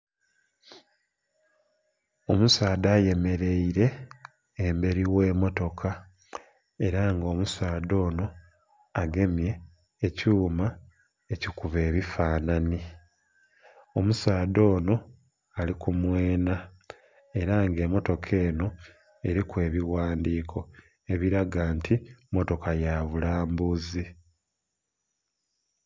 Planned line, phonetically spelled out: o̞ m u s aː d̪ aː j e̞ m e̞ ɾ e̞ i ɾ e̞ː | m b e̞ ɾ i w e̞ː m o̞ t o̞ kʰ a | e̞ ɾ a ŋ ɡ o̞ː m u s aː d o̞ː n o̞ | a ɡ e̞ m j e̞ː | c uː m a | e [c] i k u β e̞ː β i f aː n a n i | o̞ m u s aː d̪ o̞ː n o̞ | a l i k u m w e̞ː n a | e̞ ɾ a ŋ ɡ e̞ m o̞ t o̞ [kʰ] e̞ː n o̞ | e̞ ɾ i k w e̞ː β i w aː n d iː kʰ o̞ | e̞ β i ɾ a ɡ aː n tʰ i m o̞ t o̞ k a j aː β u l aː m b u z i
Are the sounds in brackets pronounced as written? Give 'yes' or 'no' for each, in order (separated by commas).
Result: yes, yes